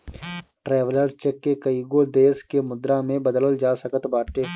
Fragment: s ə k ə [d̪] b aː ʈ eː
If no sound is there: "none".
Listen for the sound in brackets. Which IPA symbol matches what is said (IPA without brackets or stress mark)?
t̪